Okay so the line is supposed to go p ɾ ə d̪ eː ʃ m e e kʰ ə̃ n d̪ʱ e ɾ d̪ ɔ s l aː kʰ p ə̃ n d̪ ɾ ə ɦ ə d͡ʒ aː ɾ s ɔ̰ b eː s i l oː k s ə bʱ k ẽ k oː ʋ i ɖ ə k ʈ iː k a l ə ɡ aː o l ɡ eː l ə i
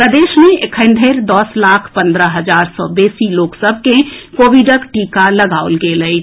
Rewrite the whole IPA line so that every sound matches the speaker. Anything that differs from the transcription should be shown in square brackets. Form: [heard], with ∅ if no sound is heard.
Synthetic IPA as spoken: p ɾ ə d̪ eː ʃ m e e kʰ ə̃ n d̪ʱ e ɾ d̪ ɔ s l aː kʰ p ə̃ n d̪ ɾ ə ɦ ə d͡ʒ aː ɾ s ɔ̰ b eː s i l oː k s ə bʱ k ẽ k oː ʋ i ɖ ə k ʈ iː k a l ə ɡ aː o l ɡ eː l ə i